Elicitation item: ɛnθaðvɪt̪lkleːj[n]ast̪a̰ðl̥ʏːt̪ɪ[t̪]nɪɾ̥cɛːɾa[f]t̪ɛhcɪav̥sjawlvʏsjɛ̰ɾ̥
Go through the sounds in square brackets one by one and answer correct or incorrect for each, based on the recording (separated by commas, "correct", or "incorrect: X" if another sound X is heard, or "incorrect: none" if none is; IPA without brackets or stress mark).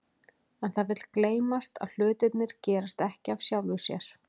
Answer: incorrect: m, correct, incorrect: s